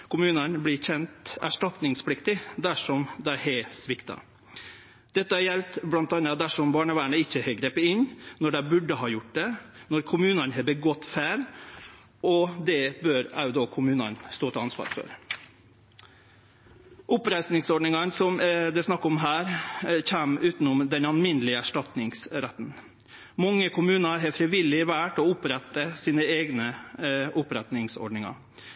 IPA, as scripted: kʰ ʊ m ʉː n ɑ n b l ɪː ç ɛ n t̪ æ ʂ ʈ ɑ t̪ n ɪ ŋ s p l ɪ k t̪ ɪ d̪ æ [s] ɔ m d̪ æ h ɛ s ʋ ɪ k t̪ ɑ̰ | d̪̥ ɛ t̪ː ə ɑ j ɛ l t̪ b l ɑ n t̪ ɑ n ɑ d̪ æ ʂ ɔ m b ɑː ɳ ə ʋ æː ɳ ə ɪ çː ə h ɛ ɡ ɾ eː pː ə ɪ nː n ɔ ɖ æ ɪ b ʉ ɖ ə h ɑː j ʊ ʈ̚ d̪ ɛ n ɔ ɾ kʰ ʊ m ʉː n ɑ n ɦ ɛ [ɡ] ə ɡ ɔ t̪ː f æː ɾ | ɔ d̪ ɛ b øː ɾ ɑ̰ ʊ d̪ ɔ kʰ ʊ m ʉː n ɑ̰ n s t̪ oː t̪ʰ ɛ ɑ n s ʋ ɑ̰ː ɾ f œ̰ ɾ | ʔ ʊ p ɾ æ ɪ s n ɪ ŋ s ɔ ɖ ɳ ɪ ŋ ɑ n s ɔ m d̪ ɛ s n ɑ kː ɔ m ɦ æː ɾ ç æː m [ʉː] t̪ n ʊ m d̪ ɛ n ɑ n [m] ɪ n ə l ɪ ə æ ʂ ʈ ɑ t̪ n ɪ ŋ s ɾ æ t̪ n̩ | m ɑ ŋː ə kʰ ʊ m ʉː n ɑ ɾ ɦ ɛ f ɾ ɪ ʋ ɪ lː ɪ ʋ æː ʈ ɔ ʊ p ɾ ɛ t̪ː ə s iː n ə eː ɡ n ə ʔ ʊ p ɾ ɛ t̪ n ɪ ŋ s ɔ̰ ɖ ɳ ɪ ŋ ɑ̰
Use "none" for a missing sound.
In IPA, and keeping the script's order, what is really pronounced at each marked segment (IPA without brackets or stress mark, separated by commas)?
ʂ, b, ʉː, m